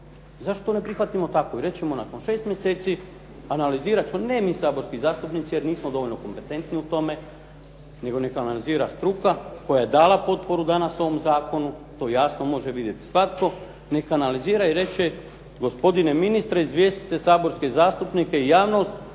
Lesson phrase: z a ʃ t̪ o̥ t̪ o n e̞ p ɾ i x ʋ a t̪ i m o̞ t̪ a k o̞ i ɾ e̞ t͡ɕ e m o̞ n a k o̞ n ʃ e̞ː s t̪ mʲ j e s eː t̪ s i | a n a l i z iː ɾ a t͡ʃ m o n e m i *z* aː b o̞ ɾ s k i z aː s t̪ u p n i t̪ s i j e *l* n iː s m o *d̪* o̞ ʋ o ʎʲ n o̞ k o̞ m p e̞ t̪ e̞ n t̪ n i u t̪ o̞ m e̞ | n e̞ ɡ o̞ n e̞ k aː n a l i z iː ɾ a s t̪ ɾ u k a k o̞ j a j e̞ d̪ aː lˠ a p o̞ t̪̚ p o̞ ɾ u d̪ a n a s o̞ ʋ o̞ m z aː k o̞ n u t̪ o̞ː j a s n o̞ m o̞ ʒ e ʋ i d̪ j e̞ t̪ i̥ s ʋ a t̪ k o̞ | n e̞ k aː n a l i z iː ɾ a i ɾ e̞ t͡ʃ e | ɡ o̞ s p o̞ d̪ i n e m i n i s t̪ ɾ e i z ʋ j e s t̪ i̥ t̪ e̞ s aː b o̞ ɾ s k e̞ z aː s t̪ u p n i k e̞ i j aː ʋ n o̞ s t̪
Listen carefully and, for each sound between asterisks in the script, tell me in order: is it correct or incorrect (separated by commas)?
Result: incorrect, incorrect, correct